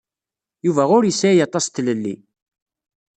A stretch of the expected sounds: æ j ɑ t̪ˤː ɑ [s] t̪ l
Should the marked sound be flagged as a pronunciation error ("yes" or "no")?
no